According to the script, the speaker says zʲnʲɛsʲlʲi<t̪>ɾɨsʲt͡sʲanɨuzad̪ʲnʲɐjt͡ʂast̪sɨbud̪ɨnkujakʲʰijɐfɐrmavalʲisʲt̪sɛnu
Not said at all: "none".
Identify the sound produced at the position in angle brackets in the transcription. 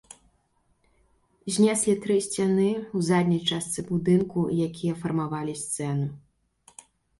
t̪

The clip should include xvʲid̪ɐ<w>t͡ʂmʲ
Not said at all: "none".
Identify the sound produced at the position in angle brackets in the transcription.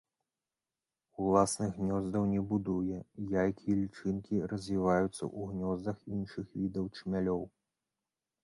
w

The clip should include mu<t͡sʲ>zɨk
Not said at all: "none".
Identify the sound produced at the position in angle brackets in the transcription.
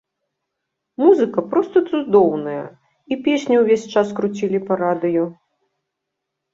none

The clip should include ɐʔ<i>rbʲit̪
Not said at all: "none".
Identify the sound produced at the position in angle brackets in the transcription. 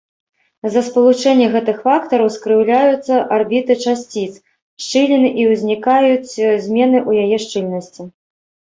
a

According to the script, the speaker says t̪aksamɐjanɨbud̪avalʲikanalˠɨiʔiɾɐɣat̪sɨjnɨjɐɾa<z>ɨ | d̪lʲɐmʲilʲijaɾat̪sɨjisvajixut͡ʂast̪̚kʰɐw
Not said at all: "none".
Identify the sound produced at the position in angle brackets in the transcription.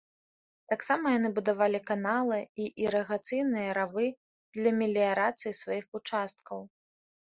v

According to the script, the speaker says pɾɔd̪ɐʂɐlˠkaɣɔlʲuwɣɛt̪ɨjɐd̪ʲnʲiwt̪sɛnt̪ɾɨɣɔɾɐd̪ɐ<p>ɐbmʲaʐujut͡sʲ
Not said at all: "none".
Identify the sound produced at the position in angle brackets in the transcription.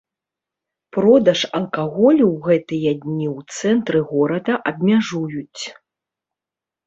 ʔ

